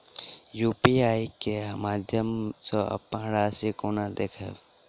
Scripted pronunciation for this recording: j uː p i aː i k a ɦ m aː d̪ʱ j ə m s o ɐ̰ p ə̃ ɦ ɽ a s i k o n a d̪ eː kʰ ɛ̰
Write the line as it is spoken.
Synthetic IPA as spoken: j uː p i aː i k e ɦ m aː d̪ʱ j ə m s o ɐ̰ p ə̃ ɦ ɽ a s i k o n a d̪ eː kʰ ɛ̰